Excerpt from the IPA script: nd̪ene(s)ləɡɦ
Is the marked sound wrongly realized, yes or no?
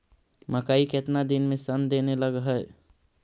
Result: yes